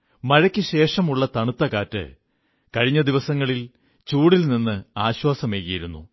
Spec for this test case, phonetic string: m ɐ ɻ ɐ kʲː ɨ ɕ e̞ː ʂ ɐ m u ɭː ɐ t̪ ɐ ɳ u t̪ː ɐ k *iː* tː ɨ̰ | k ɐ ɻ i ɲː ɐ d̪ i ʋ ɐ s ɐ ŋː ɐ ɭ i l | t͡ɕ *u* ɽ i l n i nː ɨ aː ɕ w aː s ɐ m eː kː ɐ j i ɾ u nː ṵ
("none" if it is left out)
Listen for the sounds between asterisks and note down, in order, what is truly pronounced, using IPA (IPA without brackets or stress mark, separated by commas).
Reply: aː, uː